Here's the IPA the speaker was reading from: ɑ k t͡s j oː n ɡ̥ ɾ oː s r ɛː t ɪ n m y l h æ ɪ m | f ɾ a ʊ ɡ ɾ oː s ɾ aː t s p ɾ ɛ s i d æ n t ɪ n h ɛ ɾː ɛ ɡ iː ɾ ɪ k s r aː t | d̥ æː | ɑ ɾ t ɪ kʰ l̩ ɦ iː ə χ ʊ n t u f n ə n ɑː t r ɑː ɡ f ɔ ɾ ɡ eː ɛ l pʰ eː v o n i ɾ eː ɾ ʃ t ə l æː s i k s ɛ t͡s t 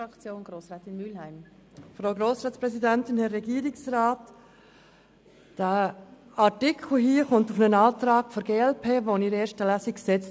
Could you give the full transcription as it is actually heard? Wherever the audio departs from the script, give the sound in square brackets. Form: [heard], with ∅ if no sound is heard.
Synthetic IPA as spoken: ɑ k t͡s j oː n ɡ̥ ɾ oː s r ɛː t ɪ n m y l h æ ɪ m | f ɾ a ʊ ɡ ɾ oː s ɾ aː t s p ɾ ɛ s i d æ n t ɪ n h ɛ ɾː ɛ ɡ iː ɾ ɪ k s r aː t | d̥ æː | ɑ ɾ t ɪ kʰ l̩ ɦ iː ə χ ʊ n t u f n ə n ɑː t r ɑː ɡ f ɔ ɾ ɡ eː ɛ l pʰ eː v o n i ɾ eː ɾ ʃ t ə l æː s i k s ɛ t͡s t